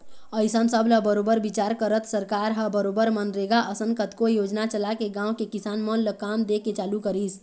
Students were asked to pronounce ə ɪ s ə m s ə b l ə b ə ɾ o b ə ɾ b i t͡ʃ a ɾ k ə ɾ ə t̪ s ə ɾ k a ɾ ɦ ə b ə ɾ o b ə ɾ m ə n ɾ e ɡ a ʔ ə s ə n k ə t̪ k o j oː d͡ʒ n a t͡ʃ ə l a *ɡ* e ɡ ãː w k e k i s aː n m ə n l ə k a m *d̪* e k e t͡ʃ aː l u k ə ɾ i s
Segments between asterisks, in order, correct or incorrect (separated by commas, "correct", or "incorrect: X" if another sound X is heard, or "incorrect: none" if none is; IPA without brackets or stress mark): incorrect: k, correct